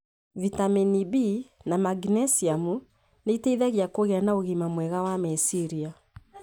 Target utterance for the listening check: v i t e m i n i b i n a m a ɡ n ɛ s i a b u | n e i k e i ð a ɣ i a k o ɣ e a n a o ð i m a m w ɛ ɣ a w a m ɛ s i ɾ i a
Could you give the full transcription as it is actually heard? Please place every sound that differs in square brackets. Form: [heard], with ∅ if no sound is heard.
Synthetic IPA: v i t [a] m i n i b i n a m a ɡ n ɛ s i a [m] u | n e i [t] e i ð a ɣ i a k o ɣ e a n a o [ɣ] i m a m w ɛ ɣ a w a m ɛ s i ɾ i a

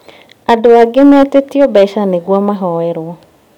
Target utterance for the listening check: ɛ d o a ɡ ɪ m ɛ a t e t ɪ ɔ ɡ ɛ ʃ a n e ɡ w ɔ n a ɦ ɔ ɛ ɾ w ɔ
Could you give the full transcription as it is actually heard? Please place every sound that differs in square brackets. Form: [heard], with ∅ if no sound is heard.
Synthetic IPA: [a] d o a ɡ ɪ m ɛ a t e t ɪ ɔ [b] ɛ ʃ a n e ɡ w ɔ [m] a ɦ ɔ ɛ ɾ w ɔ

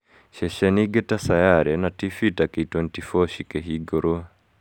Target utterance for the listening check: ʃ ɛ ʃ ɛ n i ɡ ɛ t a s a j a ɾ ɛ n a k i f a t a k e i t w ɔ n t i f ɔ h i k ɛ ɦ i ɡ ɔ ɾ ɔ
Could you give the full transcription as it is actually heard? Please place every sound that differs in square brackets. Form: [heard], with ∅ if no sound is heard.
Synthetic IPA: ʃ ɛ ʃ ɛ n i ɡ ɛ t a s a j a ɾ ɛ n a [t] i f [i] t a k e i t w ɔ n t i f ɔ [ʃ] i k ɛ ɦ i ɡ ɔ ɾ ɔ

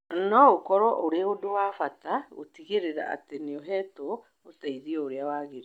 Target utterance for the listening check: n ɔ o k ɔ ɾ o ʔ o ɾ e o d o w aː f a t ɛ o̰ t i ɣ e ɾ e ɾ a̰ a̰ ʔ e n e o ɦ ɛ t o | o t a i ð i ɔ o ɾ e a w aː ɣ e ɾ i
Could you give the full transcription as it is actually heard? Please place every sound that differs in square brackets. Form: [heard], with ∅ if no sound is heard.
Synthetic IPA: n ɔ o k ɔ ɾ [ɔ] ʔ o ɾ e o d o w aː f a t [a] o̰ t i ɣ e ɾ e ɾ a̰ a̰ [t] e n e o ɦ ɛ t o | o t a i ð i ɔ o ɾ e a w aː ɣ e ɾ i

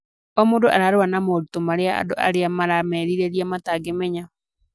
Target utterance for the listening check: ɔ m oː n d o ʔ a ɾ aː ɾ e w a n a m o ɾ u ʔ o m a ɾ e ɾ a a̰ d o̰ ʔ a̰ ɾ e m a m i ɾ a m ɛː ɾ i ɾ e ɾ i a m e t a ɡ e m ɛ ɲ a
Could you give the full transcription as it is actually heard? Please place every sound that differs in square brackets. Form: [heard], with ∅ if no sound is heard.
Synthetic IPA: ɔ m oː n d o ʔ a ɾ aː ɾ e w a n a m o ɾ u [t] o m a ɾ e [∅] a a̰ d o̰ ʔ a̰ ɾ e [∅] a m [a] ɾ a m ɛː ɾ i ɾ e ɾ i a m [a] t a ɡ e m ɛ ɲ a

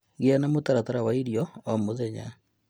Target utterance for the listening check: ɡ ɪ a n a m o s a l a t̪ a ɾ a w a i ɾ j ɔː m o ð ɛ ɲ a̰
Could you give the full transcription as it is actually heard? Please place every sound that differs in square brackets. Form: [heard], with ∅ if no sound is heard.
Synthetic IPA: ɡ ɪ a n a m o [t] a [ɾ] a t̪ a ɾ a w a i ɾ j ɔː m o ð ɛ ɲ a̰

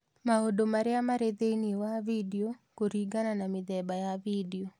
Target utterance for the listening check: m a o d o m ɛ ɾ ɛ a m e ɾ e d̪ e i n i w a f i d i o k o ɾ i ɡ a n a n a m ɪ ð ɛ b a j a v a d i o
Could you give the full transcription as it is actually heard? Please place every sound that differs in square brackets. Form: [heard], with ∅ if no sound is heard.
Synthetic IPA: m a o d o m [a] ɾ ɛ a m [a] ɾ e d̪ e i n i w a [v] i d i o k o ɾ i ɡ a n a n a m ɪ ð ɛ b a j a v [i] d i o

